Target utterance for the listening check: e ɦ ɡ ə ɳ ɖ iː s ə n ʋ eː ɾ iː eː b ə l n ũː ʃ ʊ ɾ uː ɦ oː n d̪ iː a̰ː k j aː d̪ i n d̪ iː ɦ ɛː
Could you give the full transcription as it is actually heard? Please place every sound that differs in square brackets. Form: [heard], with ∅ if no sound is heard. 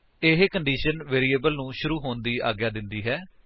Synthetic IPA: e ɦ [k] ə ɳ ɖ iː [ʃ] ə n ʋ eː ɾ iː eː b ə l n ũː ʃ ʊ ɾ uː ɦ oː n d̪ iː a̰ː [ɡ] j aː d̪ [ɪ] n d̪ iː ɦ ɛː